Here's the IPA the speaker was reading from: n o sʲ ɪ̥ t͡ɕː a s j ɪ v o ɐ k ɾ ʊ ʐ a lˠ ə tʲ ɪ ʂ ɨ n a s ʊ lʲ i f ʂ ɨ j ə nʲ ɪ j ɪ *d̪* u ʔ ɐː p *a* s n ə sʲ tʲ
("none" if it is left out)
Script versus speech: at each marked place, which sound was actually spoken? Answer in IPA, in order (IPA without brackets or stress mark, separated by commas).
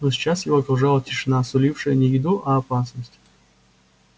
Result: d̪, a